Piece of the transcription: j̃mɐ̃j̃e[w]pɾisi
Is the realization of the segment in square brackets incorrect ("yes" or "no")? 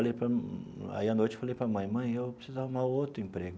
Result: no